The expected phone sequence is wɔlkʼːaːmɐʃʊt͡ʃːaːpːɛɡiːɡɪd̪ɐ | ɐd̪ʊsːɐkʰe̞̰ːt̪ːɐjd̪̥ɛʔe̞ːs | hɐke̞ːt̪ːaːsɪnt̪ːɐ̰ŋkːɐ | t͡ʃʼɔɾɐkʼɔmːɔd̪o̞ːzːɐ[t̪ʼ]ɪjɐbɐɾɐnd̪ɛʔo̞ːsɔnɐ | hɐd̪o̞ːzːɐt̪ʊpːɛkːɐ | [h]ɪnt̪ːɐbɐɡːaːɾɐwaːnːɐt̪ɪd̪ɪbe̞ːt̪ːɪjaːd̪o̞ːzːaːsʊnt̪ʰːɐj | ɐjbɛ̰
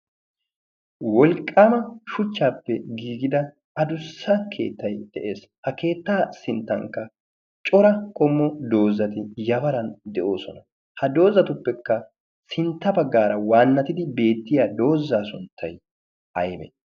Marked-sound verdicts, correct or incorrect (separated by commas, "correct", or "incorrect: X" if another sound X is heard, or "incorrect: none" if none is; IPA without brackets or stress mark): incorrect: t̪, incorrect: s